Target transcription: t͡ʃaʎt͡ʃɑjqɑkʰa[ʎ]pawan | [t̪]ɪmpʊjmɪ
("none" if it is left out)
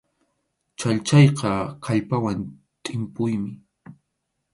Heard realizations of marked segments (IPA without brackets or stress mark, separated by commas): ʎ, t̪ʼ